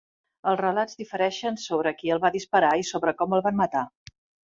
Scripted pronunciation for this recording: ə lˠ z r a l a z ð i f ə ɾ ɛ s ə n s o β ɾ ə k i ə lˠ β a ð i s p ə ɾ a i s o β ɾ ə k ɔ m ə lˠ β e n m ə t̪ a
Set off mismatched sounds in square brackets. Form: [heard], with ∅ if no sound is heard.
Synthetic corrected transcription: ə lˠ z r [ə] l a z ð i f ə ɾ ɛ [ʃ] ə n s o β ɾ ə k i ə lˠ β a ð i s p ə ɾ a i s o β ɾ ə k ɔ m ə lˠ β [a] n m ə t̪ a

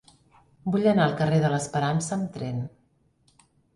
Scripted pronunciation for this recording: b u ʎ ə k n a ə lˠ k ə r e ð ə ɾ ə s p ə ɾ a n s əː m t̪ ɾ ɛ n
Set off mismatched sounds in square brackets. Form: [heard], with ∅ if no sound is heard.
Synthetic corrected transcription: b u ʎ ə [∅] n a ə lˠ k ə r e ð ə [l] ə s p ə ɾ a n s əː m t̪ ɾ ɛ n

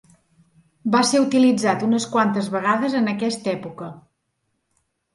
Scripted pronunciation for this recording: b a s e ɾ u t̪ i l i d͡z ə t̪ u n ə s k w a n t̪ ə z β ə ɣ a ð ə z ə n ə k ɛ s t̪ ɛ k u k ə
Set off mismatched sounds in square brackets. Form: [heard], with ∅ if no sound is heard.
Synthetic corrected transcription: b a s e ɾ u t̪ i l i d͡z [a] t̪ u n ə s k w a n t̪ ə z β ə ɣ a ð ə z ə n ə k ɛ s t̪ ɛ [p] u k ə

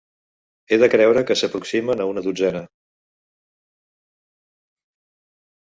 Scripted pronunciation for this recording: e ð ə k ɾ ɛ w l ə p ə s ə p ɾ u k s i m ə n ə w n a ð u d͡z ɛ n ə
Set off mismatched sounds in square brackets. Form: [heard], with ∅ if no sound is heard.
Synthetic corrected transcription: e ð ə k ɾ ɛ w [ɾ] ə [k] ə s ə p ɾ u k s i m ə n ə [u] n [ə] ð u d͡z ɛ n ə

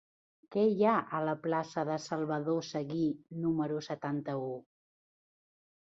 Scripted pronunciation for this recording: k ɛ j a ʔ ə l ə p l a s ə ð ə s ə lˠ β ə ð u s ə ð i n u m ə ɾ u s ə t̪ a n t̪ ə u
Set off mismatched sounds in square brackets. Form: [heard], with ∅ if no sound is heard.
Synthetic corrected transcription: k ɛ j a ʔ ə l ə p l a s ə ð ə s ə lˠ β ə ð [o] s ə [ɣ] i n u m ə ɾ u s ə t̪ a n t̪ ə u

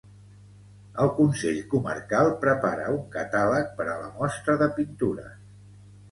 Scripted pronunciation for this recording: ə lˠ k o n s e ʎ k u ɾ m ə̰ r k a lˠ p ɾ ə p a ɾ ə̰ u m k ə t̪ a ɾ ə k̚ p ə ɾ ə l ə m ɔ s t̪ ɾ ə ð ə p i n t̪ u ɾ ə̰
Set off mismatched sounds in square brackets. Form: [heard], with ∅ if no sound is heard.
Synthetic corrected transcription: ə lˠ k [u] n s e ʎ k u [∅] m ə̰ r k a lˠ p ɾ ə p a ɾ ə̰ u [ŋ] k ə t̪ a [l] ə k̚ p ə ɾ ə l ə m ɔ s t̪ ɾ ə ð ə p i n t̪ u ɾ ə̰

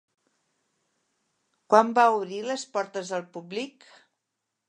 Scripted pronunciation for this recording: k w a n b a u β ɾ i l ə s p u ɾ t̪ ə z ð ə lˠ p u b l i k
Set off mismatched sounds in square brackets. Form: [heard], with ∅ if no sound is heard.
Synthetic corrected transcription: k w a [m] b a u β ɾ i l ə s p [ɔ] ɾ t̪ ə z ð ə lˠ p u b l i k

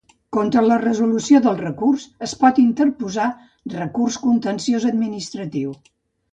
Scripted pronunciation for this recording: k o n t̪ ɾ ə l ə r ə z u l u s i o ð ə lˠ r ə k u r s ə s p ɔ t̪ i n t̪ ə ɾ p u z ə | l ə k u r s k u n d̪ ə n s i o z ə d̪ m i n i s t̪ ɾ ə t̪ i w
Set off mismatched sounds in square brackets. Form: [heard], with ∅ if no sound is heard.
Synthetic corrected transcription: k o n t̪ ɾ ə l ə r ə z u l u s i o ð ə lˠ r ə k u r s ə s p ɔ t̪ i n t̪ ə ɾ p u z [a] | [r] ə k u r s k u n [t̪] ə n s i o z ə d̪ m i n i s t̪ ɾ ə t̪ i w

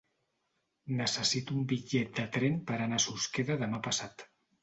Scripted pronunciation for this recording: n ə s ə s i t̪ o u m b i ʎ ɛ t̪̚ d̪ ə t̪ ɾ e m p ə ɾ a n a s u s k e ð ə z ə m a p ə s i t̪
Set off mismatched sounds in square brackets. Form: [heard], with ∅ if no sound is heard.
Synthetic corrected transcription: n ə s ə s i t̪ [u] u m b i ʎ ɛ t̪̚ d̪ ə t̪ ɾ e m p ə ɾ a n a s u s k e ð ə [ð] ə m a p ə s [a] t̪

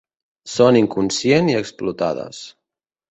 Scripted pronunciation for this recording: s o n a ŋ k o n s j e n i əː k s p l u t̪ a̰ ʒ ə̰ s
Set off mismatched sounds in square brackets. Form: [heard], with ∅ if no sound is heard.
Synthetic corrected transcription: s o n [i] ŋ k [u] n s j e n i [ə] k s p l u t̪ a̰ [ð] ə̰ s

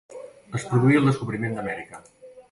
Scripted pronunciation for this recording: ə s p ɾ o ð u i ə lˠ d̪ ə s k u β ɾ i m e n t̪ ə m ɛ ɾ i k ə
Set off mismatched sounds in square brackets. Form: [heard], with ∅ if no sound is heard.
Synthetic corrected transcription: ə s p ɾ [u] ð u i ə lˠ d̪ ə s k u β ɾ i m e n [d̪] ə m ɛ ɾ i k ə

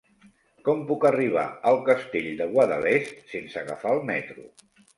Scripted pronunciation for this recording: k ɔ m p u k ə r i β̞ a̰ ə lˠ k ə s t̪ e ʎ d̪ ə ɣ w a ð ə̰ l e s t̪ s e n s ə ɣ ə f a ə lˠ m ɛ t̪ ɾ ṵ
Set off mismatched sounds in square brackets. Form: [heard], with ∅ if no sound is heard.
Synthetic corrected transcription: k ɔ m p u k ə r i β̞ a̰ ə lˠ k ə s t̪ e ʎ d̪ ə ɣ w a ð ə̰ l e s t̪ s e n s ə ɣ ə f a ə lˠ m ɛ t̪ ɾ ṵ

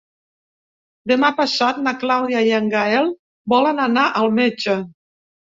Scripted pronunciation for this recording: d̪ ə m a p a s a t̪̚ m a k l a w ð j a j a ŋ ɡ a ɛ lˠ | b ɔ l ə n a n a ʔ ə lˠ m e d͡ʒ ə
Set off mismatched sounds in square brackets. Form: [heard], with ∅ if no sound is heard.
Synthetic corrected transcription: d̪ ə m a p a s a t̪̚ [n] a k l a w ð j a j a ŋ ɡ a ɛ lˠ | b ɔ l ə n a n a ʔ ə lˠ m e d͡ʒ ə

